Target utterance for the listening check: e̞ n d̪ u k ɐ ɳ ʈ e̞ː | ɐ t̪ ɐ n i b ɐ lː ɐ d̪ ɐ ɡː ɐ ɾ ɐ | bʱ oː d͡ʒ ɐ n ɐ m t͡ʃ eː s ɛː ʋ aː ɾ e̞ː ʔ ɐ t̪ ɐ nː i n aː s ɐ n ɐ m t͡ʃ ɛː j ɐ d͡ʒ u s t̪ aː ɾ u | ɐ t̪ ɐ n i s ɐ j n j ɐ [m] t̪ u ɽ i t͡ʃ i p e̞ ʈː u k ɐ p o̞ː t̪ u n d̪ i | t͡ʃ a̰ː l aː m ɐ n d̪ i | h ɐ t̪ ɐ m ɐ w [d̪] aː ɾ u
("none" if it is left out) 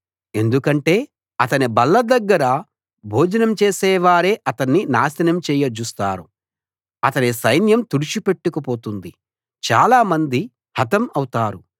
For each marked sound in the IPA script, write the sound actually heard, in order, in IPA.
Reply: m, t̪

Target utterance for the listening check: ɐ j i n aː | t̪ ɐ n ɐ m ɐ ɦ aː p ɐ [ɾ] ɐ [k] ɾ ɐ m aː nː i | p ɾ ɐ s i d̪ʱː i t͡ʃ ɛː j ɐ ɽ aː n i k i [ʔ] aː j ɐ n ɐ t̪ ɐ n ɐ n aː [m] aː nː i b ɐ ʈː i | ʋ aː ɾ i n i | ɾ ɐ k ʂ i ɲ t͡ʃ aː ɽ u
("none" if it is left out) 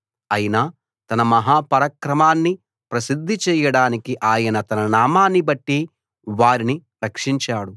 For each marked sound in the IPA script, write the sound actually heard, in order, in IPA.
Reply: ɾ, k, ʔ, m

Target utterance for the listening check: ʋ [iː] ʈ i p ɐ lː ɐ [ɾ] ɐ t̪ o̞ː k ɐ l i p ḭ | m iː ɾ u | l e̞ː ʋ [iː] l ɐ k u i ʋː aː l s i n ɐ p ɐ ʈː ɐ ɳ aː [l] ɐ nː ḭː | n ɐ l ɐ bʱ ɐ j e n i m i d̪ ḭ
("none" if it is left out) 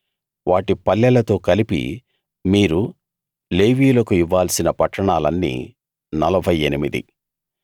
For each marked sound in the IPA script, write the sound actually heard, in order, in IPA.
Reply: aː, l, iː, l

